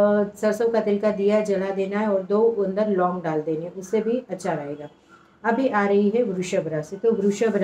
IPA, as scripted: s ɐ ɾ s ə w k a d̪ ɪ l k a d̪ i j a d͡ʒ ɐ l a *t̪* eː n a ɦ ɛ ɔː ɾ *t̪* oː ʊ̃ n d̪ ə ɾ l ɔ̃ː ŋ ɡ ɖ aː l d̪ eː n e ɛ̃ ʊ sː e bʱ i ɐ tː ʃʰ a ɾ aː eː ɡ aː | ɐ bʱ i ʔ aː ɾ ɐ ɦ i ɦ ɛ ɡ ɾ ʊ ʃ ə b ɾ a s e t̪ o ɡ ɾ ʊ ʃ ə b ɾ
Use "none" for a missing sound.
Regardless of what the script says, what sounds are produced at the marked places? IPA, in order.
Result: d̪, d̪

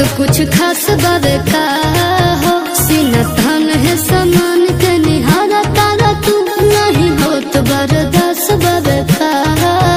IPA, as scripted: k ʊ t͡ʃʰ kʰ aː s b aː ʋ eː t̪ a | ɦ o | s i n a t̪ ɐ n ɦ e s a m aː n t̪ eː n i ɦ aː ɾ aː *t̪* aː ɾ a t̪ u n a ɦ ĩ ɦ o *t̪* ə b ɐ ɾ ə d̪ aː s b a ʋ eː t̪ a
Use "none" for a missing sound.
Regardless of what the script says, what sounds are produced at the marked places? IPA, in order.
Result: t̪, t̪

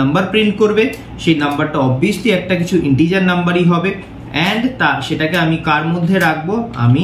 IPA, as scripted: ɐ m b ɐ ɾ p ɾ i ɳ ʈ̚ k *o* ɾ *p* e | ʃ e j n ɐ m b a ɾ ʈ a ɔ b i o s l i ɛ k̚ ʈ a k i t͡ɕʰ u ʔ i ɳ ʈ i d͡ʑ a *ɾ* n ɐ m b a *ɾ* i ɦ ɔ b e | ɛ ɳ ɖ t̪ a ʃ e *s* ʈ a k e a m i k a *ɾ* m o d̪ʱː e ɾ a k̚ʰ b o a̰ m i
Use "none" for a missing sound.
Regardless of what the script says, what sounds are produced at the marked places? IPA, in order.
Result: o, b, ɾ, ɾ, none, ɾ

